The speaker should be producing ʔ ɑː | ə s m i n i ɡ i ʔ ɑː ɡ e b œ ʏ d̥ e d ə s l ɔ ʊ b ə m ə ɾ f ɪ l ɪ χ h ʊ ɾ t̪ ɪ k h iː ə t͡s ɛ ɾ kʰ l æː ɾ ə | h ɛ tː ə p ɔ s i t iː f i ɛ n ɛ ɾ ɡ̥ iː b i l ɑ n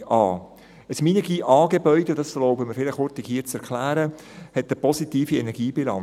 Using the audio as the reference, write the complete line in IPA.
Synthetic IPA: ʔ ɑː | ə s m i n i ɡ i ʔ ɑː ɡ e b œ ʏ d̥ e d ɑ s l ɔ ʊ b ə m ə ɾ f ɪ l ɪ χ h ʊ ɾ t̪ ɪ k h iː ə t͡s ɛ ɾ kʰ l æː ɾ ə | h ɛ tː ə p ɔ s i t iː f i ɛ n ɛ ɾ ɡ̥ iː b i l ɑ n